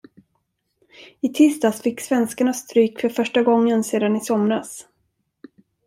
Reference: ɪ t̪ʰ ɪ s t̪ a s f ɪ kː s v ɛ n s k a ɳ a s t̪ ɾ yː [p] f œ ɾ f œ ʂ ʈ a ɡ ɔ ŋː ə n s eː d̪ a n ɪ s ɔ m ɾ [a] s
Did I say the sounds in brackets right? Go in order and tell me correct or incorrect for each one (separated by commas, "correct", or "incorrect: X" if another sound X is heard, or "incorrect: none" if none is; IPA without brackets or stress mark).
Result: incorrect: k, correct